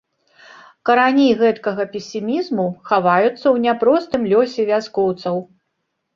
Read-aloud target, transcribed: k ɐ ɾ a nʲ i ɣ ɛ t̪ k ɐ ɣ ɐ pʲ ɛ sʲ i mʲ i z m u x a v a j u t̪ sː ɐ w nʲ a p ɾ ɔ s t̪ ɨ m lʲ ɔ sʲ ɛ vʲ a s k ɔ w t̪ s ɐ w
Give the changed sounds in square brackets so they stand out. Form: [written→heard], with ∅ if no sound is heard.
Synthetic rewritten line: k ɐ ɾ a nʲ i ɣ ɛ t̪ k ɐ ɣ ɐ pʲ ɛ sʲ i mʲ i z m u x a v a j u t̪ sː ɐ w nʲ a p ɾ ɔ s t̪ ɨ m lʲ ɔ sʲ ɛ vʲ a s k ɔ w t̪ s ɐ w